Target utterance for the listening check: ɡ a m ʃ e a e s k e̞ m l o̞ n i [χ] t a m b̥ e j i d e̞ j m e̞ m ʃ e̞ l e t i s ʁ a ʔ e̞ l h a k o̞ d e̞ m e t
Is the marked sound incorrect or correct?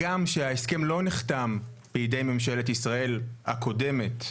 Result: correct